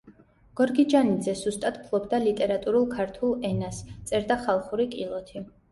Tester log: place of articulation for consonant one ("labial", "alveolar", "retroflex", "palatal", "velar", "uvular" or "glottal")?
velar